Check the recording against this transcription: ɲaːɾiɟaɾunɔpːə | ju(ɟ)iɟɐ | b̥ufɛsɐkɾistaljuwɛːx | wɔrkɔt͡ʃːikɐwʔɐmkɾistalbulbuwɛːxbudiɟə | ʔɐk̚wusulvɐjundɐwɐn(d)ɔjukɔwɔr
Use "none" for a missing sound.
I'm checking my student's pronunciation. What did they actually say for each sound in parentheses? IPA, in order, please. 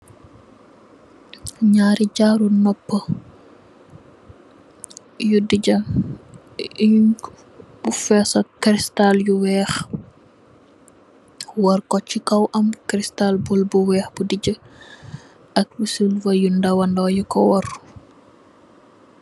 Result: d, d

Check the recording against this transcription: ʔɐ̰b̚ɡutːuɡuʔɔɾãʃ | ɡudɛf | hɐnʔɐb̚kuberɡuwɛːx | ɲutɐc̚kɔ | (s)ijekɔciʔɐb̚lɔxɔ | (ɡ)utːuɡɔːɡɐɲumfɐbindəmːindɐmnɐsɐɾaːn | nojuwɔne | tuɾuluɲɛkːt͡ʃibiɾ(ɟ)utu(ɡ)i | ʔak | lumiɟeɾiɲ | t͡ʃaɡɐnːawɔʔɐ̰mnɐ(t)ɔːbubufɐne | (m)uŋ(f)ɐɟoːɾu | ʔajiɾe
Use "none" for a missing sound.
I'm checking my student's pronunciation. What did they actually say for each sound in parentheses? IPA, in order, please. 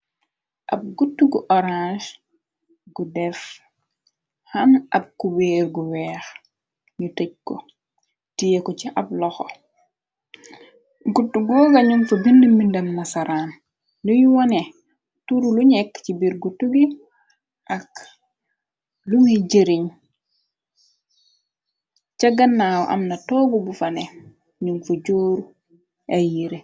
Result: t, ɡ, ɡ, ɡ, t, ɲ, f

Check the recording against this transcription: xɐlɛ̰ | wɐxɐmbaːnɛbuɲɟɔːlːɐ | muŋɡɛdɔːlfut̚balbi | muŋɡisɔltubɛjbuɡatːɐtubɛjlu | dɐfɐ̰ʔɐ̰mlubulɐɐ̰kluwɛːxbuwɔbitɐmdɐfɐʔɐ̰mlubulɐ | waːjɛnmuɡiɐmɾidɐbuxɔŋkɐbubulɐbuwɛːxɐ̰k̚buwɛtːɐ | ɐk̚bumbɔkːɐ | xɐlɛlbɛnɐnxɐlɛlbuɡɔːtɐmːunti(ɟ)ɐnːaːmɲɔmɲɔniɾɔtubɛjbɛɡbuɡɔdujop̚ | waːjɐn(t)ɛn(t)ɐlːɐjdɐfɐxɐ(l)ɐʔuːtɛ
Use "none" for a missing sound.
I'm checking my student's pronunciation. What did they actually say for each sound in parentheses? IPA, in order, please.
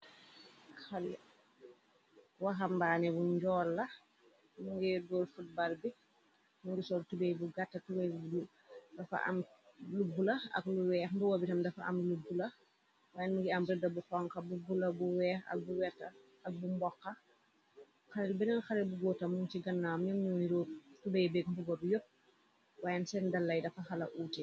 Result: ɡ, s, d, l

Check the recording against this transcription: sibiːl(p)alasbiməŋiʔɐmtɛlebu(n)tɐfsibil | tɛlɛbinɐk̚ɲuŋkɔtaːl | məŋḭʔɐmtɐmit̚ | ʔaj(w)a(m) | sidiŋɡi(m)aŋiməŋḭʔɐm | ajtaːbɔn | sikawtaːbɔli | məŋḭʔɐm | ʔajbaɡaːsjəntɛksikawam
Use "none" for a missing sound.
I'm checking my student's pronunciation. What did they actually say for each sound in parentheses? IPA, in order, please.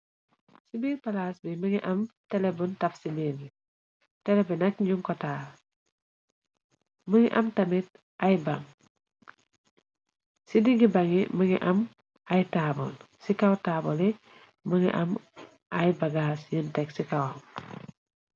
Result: p, n, b, ŋ, b

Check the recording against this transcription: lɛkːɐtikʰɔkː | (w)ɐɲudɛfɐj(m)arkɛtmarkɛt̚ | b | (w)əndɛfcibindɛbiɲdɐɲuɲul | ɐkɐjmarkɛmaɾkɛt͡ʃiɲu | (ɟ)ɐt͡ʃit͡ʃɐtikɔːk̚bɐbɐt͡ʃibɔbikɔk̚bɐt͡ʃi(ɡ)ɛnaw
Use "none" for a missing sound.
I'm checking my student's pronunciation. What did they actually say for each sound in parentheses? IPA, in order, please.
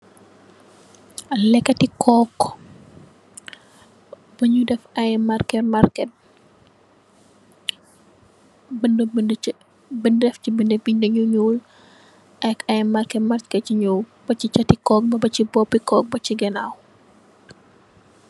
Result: b, m, b, b, ɡ

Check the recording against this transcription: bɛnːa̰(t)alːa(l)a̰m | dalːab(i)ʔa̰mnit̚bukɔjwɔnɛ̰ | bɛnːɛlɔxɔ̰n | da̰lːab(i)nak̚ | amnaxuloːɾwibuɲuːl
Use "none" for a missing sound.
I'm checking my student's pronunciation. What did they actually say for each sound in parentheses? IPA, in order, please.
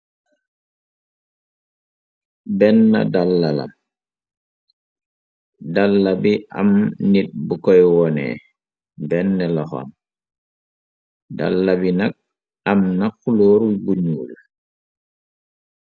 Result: d, l, i, i

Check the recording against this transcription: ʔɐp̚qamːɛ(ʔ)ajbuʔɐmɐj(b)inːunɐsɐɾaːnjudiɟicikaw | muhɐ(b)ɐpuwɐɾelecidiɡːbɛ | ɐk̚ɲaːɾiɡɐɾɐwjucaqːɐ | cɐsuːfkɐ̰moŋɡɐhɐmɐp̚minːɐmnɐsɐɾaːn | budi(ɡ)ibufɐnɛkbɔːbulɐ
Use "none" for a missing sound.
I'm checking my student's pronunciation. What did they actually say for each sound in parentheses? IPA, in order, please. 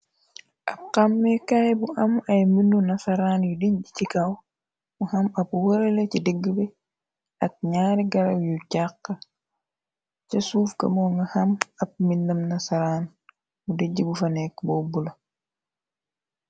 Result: k, m, m, ɟ

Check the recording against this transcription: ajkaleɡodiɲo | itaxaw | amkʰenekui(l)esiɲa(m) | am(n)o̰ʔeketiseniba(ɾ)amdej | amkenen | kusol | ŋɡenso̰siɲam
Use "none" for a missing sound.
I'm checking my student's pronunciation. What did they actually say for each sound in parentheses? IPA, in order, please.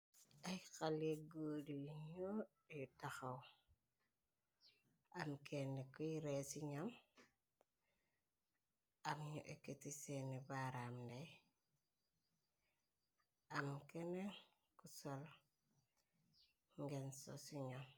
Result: ɾ, m, ɲ, ɾ

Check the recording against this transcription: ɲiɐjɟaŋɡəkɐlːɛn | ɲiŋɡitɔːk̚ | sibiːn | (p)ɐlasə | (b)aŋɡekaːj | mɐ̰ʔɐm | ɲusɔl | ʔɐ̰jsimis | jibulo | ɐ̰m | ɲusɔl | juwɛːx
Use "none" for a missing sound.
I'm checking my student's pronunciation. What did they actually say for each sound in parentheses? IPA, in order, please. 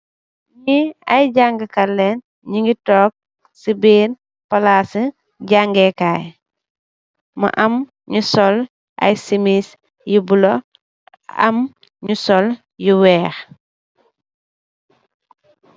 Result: p, ɟ

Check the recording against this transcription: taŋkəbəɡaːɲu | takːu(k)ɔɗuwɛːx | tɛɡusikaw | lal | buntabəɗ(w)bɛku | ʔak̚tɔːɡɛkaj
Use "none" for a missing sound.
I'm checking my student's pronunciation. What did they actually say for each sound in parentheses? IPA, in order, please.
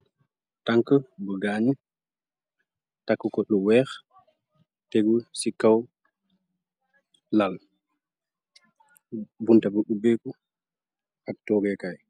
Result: k, u

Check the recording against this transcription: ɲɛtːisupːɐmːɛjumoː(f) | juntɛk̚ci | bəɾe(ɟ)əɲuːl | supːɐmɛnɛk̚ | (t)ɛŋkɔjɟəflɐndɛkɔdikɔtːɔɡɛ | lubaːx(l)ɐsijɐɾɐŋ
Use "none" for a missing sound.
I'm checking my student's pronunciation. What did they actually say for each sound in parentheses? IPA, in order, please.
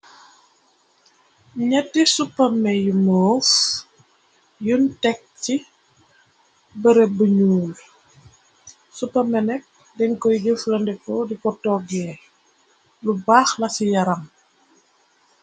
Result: f, b, d, l

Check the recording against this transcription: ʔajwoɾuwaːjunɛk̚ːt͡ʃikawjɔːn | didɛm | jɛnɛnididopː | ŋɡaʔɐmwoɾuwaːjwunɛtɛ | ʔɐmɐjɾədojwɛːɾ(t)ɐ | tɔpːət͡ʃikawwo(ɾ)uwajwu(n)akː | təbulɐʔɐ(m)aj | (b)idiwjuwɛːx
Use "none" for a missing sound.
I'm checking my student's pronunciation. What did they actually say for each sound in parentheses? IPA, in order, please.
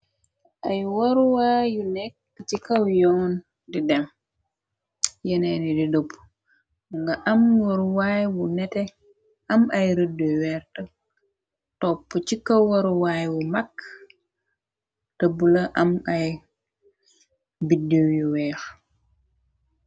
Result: t, ɾ, m, m, b

